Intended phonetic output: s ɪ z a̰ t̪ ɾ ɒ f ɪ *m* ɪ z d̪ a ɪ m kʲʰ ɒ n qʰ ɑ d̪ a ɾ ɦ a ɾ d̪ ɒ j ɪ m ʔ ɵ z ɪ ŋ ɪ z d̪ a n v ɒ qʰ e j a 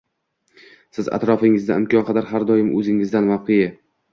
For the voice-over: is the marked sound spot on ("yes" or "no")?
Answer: no